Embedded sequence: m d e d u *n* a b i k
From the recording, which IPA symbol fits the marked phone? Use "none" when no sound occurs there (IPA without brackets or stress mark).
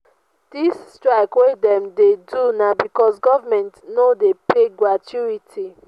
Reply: n